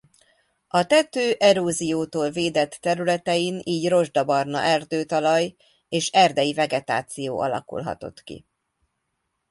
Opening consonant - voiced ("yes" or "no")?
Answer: no